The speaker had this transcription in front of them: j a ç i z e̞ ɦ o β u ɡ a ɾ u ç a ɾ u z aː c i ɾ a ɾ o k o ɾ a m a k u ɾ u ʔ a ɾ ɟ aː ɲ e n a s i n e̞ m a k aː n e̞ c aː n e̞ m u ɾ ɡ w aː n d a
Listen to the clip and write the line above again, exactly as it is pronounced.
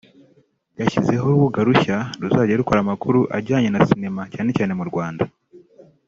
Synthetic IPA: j a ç i z e̞ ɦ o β u ɡ a ɾ u ç a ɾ u z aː ɟ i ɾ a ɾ u k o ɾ a m a k u ɾ u ʔ a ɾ ɟ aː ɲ e n a s i n e̞ m a c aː n e̞ c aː n e̞ m u ɾ ɡ w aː n d a